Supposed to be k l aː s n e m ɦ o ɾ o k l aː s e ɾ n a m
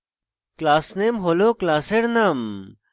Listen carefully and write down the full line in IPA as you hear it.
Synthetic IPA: k l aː s n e m ɦ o l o k l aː s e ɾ n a m

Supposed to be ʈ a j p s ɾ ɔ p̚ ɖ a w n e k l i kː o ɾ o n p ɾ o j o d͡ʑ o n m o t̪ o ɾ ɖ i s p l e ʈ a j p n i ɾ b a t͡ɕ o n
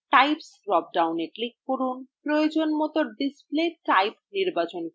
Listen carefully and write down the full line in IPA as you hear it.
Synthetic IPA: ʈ a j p s ɾ ɔ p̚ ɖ a w n e k l i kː o ɾ u n p ɾ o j o d͡ʑ o n m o t̪ o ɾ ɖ i s p l e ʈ a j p n i ɾ b a t͡ɕ o n

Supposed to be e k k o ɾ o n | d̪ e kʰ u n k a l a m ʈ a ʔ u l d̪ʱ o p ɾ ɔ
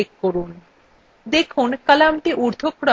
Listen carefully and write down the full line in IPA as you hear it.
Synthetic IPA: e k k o ɾ u n | d̪ e kʰ u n k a l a m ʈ i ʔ u ɾ d̪ʱ o k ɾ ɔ

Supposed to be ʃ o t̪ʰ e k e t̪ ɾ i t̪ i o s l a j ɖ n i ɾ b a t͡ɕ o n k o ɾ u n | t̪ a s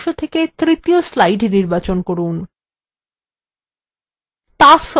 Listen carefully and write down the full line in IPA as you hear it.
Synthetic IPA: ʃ o t̪ʰ e k e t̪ ɾ i t̪ i o s l a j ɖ n i ɾ b a t͡ɕ o n k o ɾ u n | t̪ a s

